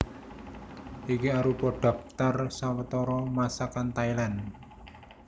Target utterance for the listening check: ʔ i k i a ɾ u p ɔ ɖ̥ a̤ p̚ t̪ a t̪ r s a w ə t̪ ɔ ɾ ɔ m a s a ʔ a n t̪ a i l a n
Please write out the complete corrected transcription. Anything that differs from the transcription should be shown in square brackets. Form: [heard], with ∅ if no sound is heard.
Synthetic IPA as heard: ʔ i k i a ɾ u p ɔ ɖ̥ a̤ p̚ t̪ a [∅] r s a w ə t̪ ɔ ɾ ɔ m a s a [k] a n t̪ a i l a n

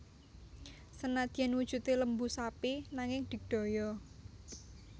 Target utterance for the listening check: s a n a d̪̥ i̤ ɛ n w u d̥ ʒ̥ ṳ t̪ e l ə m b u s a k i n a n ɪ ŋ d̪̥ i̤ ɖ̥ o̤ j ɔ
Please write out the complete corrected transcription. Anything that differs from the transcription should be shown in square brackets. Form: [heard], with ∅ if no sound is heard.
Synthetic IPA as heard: s [ə] n a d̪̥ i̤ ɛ n w u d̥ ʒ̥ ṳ t̪ e l ə m b u s a [p] i n a [ŋ] ɪ ŋ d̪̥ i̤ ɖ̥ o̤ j ɔ

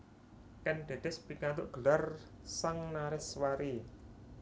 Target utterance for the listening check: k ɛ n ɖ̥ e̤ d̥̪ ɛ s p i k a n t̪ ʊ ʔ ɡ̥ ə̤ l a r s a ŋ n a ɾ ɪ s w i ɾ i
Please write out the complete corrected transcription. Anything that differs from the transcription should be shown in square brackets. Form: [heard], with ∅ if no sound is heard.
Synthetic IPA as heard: k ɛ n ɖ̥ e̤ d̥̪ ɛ s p i k a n t̪ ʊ ʔ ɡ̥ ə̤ l a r s a ŋ n a ɾ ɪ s w [a] ɾ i

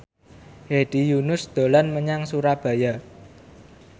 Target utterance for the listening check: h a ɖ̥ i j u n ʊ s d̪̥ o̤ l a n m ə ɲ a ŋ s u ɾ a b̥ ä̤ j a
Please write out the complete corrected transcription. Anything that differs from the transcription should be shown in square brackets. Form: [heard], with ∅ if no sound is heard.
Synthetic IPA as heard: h [e] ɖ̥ i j u n ʊ s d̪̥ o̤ l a n m ə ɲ a ŋ s u ɾ a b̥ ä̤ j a

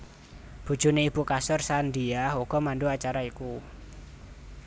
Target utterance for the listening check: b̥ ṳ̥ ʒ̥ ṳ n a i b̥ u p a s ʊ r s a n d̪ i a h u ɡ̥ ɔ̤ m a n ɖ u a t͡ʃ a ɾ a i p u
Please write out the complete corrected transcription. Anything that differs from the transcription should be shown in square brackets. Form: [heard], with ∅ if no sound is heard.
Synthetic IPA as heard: b̥ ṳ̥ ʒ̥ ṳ n [e] i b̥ u [k] a s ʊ r s a n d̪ i a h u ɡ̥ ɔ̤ m a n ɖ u a t͡ʃ a ɾ a i [k] u

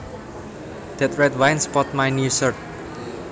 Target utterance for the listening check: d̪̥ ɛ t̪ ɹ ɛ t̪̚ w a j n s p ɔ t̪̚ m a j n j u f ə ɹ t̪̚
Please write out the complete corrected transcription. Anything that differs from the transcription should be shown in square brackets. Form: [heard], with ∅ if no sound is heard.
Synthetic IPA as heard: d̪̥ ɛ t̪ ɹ ɛ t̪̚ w a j n s p ɔ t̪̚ m a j n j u [s] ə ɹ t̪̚

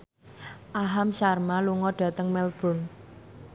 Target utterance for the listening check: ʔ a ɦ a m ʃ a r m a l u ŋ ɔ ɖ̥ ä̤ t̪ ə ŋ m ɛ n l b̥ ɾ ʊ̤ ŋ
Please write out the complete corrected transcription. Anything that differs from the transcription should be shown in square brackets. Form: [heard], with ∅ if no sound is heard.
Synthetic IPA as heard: ʔ a ɦ a m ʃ a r m a l u ŋ ɔ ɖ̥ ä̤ t̪ ə ŋ m ɛ [∅] l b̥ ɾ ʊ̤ [n]

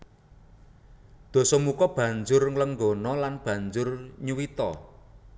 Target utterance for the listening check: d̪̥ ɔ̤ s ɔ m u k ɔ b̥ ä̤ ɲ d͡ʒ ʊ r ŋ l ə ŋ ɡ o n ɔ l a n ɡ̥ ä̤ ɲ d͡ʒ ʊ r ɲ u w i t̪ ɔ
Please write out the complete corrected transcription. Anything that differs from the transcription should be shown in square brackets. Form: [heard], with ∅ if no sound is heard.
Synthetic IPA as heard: d̪̥ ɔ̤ s ɔ m u k ɔ b̥ ä̤ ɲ d͡ʒ ʊ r ŋ l ə ŋ ɡ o n ɔ l a n [b̥] ä̤ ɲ d͡ʒ ʊ r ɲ u w i t̪ ɔ

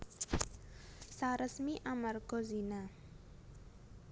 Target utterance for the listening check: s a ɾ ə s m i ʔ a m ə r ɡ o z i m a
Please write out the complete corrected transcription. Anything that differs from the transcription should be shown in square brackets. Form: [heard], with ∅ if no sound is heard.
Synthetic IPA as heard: s a ɾ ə s m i ʔ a m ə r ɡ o z i [n] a

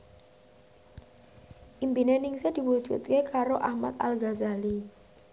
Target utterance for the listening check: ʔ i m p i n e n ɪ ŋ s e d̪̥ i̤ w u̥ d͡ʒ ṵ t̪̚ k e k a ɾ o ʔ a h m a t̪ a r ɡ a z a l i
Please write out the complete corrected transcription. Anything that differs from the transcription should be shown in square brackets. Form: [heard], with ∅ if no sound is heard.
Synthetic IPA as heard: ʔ i m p i n e n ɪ ŋ s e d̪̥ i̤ w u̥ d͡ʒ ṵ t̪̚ k e k a ɾ o ʔ a h m a t̪ a [l] ɡ a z a l i

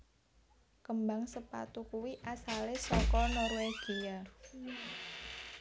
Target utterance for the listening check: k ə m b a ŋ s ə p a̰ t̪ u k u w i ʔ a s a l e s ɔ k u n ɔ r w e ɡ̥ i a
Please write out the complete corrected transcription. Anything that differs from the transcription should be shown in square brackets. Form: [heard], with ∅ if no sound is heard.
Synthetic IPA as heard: k ə m b a ŋ s ə p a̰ t̪ u k u w i ʔ a s a l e s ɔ k [ɔ] n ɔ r w e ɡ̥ i a

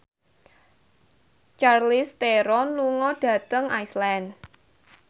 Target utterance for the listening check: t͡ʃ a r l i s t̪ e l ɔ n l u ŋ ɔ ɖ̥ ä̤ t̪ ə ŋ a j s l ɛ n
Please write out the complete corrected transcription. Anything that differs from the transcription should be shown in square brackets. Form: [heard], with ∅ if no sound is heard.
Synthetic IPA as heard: t͡ʃ a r l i s t̪ e [ɾ] ɔ n l u ŋ ɔ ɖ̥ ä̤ t̪ ə ŋ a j s l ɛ n

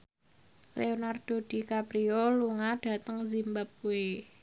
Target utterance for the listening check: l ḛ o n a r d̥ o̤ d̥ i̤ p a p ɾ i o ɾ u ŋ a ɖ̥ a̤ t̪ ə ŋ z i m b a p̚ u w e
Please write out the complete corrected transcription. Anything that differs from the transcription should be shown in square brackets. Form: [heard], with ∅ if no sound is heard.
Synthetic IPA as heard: l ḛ o n a r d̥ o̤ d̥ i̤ [k] a p ɾ i o [l] u ŋ a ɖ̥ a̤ t̪ ə ŋ z i m b a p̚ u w e

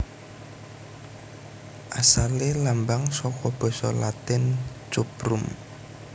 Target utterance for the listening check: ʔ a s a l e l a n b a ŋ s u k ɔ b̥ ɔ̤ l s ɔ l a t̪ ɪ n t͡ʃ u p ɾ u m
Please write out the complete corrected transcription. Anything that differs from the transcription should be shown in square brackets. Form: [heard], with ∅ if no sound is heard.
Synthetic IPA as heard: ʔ a s a l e l a [m] b a ŋ s [ɔ] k ɔ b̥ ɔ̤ [∅] s ɔ l a t̪ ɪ n t͡ʃ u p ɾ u m

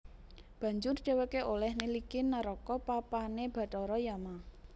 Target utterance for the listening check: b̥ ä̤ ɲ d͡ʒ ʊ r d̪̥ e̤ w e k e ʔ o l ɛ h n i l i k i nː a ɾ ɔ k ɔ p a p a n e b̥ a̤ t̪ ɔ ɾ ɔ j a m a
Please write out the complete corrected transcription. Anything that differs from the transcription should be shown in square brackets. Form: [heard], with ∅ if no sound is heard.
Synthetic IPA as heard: b̥ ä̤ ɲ d͡ʒ ʊ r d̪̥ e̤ w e k e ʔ o l ɛ h n i l i k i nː a ɾ ɔ k ɔ p a p a n e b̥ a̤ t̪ ɔ ɾ ɔ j a m a

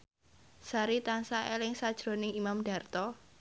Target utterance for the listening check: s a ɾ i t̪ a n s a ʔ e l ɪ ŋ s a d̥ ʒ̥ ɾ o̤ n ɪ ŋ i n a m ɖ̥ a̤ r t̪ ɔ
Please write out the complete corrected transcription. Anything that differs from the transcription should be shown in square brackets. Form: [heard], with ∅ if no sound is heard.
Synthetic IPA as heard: s a ɾ i t̪ a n s a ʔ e l ɪ ŋ s a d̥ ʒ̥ ɾ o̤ n ɪ ŋ i [m] a m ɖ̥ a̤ r t̪ ɔ

